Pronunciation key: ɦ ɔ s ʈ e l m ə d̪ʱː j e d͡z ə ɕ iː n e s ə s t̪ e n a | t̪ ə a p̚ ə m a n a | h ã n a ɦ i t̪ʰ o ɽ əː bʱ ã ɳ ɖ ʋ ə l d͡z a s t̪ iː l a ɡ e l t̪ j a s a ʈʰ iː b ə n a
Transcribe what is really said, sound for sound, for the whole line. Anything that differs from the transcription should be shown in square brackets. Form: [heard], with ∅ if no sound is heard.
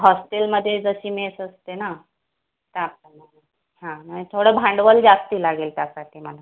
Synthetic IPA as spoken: ɦ ɔ s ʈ e l m ə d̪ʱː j e d͡z ə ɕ iː [m] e s ə s t̪ e n a | t̪ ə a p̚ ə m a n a | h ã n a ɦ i t̪ʰ o ɽ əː bʱ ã ɳ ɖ ʋ ə l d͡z a s t̪ iː l a ɡ e l t̪ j a s a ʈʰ iː [m] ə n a